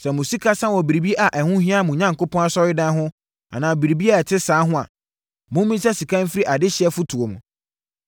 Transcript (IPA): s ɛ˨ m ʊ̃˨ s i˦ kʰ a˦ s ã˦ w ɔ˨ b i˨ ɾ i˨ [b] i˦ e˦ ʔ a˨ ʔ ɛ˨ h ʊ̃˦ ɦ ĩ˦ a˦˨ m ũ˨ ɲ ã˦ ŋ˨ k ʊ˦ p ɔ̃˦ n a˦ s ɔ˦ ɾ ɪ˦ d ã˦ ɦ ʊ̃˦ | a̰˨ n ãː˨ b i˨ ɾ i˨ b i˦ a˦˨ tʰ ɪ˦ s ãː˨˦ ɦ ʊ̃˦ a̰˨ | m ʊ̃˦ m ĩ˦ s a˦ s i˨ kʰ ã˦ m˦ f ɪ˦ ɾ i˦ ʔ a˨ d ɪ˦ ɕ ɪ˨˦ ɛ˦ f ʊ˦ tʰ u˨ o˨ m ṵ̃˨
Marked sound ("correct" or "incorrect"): correct